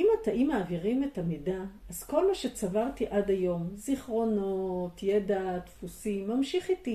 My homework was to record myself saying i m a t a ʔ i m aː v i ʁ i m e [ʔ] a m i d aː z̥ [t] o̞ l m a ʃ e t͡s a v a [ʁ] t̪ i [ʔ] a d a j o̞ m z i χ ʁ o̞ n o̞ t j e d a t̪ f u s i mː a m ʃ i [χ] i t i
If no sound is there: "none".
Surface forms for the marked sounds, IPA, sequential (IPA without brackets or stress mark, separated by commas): t, k, ʁ, ʔ, χ